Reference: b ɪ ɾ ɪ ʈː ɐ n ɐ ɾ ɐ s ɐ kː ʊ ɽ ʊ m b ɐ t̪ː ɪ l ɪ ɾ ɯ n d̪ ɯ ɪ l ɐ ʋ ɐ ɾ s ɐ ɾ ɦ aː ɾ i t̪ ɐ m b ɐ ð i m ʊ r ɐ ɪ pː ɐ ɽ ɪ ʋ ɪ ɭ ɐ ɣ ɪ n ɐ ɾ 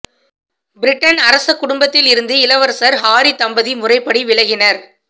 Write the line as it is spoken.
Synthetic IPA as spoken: b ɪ ɾ ɪ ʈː ɐ n ɐ ɾ ɐ s ɐ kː ʊ ɽ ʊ m b ɐ t̪ː ɪ l ɪ ɾ ɯ n d̪ ɯ ɪ l ɐ ʋ ɐ ɾ s ɐ ɾ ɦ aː ɾ i t̪ ɐ m b ɐ ð i m ʊ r ɐ ɪ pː ɐ ɽ i ʋ ɪ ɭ ɐ ɣ ɪ n ɐ ɾ

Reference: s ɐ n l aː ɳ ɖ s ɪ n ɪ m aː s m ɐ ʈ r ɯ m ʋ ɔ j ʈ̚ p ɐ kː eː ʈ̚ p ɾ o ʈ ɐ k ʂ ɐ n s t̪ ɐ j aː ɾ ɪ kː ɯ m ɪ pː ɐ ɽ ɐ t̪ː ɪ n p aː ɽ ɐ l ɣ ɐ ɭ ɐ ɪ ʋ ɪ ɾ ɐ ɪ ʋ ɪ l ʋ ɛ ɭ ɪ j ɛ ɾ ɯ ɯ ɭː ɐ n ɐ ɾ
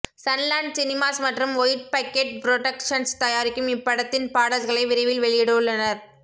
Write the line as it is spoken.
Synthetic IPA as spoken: s ɐ n l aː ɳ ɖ s ɪ n ɪ m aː s m ɐ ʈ r ɯ m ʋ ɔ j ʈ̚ p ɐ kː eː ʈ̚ p ɾ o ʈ ɐ k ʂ ɐ n s t̪ ɐ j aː ɾ ɪ kː ɯ m ɪ pː ɐ ɽ ɐ t̪ː ɪ n p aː ɽ ɐ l ɣ ɐ ɭ ɐ ɪ ʋ ɪ ɾ ɐ ɪ ʋ ɪ l ʋ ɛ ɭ ɪ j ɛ ɽ ɯ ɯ ɭː ɐ n ɐ ɾ

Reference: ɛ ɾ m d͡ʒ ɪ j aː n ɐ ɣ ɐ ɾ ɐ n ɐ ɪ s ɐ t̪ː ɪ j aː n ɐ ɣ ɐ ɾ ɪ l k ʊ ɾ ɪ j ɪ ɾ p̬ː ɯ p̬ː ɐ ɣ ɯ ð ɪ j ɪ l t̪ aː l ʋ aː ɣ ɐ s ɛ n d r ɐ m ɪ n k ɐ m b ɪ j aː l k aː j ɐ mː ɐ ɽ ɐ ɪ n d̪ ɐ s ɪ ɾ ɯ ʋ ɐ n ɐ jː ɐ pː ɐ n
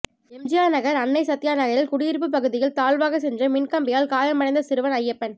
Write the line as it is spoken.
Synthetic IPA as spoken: ɛ m d͡ʒ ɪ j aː n ɐ ɣ ɐ ɾ ɐ nː ɐ ɪ s ɐ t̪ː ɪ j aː n ɐ ɣ ɐ ɾ ɪ l k ʊ ɽ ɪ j ɪ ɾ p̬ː ɯ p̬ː ɐ ɣ ɯ ð ɪ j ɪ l t̪ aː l ʋ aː ɣ ɐ s ɛ n d r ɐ m ɪ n k ɐ m b ɪ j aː l k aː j ɐ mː ɐ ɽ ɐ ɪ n d̪ ɐ s ɪ ɾ ɯ ʋ ɐ n ɐ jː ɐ pː ɐ n

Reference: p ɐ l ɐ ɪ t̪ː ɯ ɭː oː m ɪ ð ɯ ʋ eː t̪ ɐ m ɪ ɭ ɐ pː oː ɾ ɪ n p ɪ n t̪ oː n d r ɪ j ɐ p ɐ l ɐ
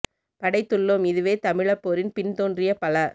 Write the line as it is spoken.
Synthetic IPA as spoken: p ɐ ɽ ɐ ɪ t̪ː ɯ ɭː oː m ɪ ð ɯ ʋ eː t̪ ɐ m ɪ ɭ ɐ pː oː ɾ ɪ n p ɪ n t̪ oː n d r ɪ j ɐ p ɐ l ɐ

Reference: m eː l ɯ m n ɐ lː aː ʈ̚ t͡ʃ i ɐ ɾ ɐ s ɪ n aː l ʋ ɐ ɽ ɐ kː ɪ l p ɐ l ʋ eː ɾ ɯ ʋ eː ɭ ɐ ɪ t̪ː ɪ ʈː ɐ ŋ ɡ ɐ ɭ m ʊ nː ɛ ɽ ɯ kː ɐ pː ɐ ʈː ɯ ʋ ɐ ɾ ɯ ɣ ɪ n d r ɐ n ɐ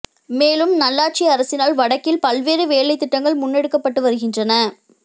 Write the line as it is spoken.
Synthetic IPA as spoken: m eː l ɯ m n ɐ lː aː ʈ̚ t͡ʃ i ɐ ɾ ɐ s ɪ n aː l ʋ ɐ ɽ ɐ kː ɪ l p ɐ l ʋ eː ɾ ɯ ʋ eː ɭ ɐ ɪ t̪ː ɪ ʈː ɐ ŋ ɡ ɐ ɭ m ʊ nː ɛ ɽ ɯ kː ɐ pː ɐ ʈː ɯ ʋ ɐ ɾ ɯ ɣ ɪ n d r ɐ n ɐ

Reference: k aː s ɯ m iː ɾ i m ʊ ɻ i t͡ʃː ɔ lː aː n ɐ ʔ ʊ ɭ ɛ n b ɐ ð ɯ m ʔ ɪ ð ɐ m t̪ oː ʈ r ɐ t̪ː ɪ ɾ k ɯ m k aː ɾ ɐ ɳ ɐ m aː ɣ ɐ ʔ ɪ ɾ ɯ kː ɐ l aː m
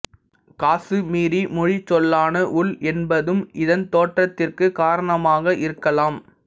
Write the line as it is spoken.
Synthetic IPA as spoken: k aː s ɯ m iː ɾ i m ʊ ɻ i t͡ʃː ɔ lː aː n ɐ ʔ ʊ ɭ ɛ n b ɐ ð ɯ m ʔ ɪ ð ɐ n t̪ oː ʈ r ɐ t̪ː ɪ r k ɯ k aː ɾ ɐ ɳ ɐ m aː ɣ ɐ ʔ ɪ ɾ ɯ kː ɐ l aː m

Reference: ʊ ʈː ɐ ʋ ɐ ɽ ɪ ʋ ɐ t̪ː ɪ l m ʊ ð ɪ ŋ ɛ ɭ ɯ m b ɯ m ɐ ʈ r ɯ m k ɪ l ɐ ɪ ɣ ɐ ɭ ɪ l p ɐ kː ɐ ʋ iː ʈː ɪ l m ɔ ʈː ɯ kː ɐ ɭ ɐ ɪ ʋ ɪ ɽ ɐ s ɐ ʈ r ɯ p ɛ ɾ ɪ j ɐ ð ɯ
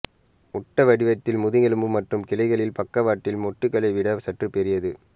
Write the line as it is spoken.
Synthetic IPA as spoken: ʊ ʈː ɐ ʋ ɐ ɽ ɪ ʋ ɐ t̪ː ɪ l m ʊ ð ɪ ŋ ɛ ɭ ɯ m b ɯ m ɐ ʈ r ɯ m k ɪ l ɐ ɪ ɣ ɐ ɭ ɪ l p ɐ kː ɐ ʋ aː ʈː ɪ l m ɔ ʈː ɯ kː ɐ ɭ ɐ ɪ ʋ ɪ ɽ ɐ s ɐ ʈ r ɯ p ɛ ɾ ɪ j ɐ ð ɯ

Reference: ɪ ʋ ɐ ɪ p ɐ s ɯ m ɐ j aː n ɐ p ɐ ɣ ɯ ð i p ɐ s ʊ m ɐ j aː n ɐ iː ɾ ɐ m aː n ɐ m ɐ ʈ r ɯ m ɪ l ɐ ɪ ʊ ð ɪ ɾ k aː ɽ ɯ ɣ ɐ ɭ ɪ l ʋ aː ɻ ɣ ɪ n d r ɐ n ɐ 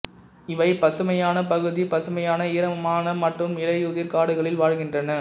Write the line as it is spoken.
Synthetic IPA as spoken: ɪ ʋ ɐ ɪ p ɐ s ɯ m ɐ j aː n ɐ p ɐ ɣ ɯ ð i p ɐ s ɯ m ɐ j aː n ɐ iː ɾ ɐ m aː n ɐ m ɐ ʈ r ɯ m ɪ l ɐ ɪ ʊ ð ɪ ɾ k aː ɽ ɯ ɣ ɐ ɭ ɪ l ʋ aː ɻ ɣ ɪ n d r ɐ n ɐ

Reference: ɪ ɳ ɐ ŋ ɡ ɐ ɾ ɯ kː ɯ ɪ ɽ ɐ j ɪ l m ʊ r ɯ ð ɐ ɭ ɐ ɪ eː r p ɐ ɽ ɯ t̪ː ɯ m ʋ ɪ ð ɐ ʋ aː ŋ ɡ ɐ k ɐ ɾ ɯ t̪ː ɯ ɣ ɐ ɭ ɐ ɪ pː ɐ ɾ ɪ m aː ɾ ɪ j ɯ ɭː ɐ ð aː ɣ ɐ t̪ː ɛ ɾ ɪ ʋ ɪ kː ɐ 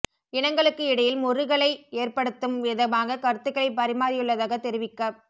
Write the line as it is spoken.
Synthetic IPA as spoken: ɪ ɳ ɐ ŋ ɡ ɐ ɭ ɯ kː ɯ ɪ ɽ ɐ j ɪ l m ʊ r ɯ ɣ ɐ ɭ ɐ ɪ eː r p ɐ ɽ ɯ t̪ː ɯ m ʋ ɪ ð ɐ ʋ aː ŋ ɡ ɐ k ɐ ɾ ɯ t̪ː ɯ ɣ ɐ ɭ ɐ ɪ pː ɐ ɾ ɪ m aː ɾ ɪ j ɯ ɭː ɐ ð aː ɣ ɐ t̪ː ɛ ɾ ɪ ʋ ɪ kː ɐ

